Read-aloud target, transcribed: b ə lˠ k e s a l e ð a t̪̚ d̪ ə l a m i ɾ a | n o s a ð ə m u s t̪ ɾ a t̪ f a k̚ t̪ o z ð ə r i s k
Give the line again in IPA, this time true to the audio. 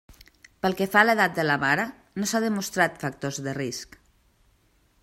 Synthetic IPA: p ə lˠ k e f a l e ð a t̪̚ d̪ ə l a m a ɾ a | n o s a ð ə m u s t̪ ɾ a t̪ f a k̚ t̪ o z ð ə r i s k